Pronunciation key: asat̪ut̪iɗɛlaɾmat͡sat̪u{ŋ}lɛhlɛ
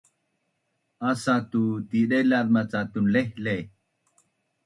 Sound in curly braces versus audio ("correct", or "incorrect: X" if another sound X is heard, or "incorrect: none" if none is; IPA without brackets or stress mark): incorrect: n